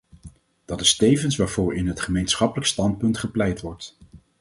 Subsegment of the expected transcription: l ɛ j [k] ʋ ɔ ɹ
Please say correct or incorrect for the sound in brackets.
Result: incorrect